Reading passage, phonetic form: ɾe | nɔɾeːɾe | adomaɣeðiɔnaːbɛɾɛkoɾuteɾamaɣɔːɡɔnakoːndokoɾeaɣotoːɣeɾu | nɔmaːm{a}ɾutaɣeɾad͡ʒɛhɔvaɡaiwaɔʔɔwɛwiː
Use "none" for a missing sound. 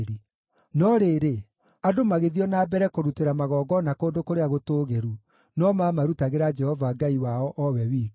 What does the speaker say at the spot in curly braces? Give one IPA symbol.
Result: a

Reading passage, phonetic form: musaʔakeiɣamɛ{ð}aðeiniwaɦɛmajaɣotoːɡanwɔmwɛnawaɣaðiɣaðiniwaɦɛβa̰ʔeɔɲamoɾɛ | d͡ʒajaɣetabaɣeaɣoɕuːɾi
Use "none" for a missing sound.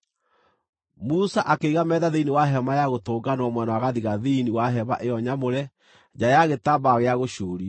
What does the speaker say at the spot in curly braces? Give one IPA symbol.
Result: ð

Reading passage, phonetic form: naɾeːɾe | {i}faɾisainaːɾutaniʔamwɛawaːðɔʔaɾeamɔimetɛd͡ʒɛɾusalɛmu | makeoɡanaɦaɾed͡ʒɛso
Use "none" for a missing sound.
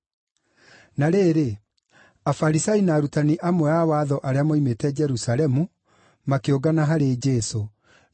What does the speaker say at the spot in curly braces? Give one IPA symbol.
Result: a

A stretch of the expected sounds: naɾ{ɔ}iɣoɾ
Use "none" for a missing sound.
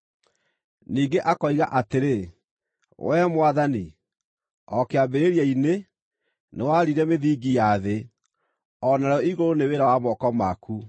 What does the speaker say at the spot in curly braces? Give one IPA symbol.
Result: ɔ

